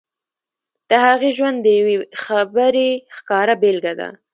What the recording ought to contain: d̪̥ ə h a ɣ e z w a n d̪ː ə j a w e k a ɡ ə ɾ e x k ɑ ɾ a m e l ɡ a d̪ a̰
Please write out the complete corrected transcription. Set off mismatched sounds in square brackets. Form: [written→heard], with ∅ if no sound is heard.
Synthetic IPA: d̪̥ ə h a ɣ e [z→ʒ] w a n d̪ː ə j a w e [k→x] a [ɡ→b] ə ɾ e x k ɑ ɾ a [m→b] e l ɡ a d̪ a̰

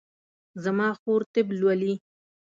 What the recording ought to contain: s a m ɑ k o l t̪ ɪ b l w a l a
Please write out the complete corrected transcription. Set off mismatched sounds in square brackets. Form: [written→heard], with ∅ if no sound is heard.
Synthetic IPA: [s→z] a m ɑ [k→x] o [l→ɾ] t̪ ɪ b l w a l [a→i]

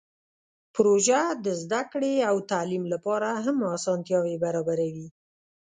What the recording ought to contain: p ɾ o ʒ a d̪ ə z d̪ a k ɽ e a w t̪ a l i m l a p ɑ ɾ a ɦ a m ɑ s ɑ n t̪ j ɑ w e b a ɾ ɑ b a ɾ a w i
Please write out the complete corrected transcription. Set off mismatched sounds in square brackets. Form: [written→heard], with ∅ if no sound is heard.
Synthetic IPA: p ɾ o ʒ a d̪ ə z d̪ a k ɽ e a w t̪ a l i m l a p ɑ ɾ a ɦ a m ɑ s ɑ n t̪ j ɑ w e b a ɾ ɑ b a ɾ a w i

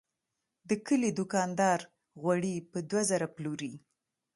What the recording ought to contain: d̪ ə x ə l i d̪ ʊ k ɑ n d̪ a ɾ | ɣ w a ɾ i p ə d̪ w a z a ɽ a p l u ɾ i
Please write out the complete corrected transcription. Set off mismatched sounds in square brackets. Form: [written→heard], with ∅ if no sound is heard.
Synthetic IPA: d̪ ə [x→k] ə l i d̪ ʊ k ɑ n d̪ [a→ɑ] ɾ | ɣ w a [ɾ→ɽ] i p ə d̪ w a z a [ɽ→ɾ] a p l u ɾ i

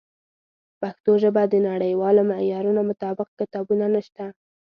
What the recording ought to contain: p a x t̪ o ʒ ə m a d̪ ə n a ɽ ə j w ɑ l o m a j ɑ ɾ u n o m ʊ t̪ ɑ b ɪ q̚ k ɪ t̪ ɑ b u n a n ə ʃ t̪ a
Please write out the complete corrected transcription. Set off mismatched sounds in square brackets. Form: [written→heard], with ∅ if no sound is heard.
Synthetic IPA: p a x t̪ o ʒ ə [m→b] a d̪ ə n a ɽ ə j w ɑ l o m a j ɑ ɾ u n o m ʊ t̪ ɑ b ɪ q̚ k ɪ t̪ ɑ b u n a n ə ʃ t̪ a

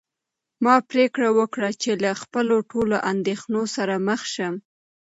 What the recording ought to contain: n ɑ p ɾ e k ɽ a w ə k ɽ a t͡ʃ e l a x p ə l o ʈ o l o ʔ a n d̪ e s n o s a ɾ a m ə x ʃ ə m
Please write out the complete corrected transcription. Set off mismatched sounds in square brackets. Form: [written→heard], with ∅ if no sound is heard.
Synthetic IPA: [n→m] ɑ p ɾ e k ɽ a w ə k ɽ a t͡ʃ e l a x p ə l o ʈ o l o ʔ a n d̪ e [s→x] n o s a ɾ a m ə x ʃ ə m

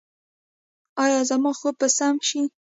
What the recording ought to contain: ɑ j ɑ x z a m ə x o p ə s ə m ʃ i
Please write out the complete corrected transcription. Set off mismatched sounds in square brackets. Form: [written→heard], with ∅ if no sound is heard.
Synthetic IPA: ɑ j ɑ [x→∅] z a m [ə→ɑ] x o p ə s [ə→a] m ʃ i

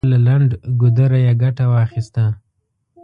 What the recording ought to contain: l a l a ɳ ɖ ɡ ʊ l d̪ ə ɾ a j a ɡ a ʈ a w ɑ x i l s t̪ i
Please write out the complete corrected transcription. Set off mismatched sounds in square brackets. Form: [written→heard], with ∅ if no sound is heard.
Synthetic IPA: l a l a ɳ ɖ ɡ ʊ [l→∅] d̪ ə ɾ a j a ɡ a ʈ a w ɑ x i [l→∅] s t̪ [i→a]

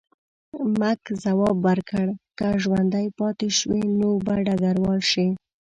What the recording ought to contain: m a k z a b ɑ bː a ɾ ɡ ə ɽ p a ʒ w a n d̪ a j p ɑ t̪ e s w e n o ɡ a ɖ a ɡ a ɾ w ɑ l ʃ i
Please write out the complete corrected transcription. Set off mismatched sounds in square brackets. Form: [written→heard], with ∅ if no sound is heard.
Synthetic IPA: m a k z a [b→w] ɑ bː a ɾ [ɡ→k] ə ɽ [p→k] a ʒ w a n d̪ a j p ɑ t̪ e [s→ʃ] w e n o [ɡ→b] a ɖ a ɡ a ɾ w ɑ l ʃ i

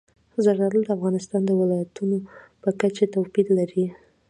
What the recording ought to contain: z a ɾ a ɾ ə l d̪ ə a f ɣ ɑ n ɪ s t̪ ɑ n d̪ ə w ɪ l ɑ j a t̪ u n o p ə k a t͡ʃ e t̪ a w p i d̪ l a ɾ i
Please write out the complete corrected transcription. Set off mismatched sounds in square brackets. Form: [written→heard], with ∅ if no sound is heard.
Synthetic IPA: z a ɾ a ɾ ə l d̪ ə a f ɣ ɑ n ɪ s t̪ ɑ n d̪ ə w ɪ l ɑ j a t̪ u n o p ə k a t͡ʃ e t̪ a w p i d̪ l a ɾ i

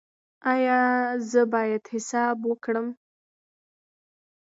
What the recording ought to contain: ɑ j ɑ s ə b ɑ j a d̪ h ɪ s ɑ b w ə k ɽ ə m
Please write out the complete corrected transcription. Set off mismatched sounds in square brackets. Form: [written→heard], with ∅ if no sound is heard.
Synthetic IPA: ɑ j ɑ [s→z] ə b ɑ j a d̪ h ɪ s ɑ b w ə k ɽ ə m

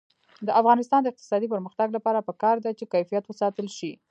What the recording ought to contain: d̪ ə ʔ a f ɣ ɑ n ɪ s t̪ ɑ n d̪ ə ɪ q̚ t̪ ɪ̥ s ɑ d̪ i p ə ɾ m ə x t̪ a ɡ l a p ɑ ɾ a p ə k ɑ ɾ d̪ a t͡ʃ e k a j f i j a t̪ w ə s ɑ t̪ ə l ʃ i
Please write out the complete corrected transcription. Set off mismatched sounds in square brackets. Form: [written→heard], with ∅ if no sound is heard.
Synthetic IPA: d̪ ə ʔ a f ɣ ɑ n ɪ s t̪ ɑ n d̪ ə ɪ q̚ t̪ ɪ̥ s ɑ d̪ i p ə ɾ m ə x t̪ a ɡ l a p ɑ ɾ a p ə k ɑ ɾ d̪ a t͡ʃ e k a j f i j a t̪ w ə s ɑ t̪ ə l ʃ i

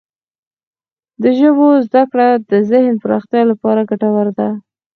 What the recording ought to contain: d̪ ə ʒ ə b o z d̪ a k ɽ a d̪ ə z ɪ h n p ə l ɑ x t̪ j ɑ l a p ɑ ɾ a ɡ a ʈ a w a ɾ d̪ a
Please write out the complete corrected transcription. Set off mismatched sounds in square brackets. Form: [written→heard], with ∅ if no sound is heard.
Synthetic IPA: d̪ ə ʒ ə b o z d̪ a k ɽ a d̪ ə z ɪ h n p ə [l→ɾ] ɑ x t̪ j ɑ l a p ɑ ɾ a ɡ a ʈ a w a ɾ d̪ a

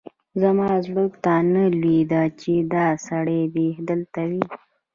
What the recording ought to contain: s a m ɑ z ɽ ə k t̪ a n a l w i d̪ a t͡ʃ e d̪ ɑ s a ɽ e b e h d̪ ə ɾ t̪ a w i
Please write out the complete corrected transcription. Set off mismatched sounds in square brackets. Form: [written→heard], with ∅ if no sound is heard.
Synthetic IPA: [s→z] a m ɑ z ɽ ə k t̪ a n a l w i d̪ a t͡ʃ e d̪ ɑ s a ɽ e b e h d̪ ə [ɾ→l] t̪ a w i

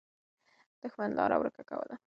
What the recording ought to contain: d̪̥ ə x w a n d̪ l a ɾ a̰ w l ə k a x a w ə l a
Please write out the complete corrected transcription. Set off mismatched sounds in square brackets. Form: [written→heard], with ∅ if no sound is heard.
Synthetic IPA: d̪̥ ə x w a n d̪ l [a→ɑ] ɾ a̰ w [l→ɾ] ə k a [x→k] a w ə l a

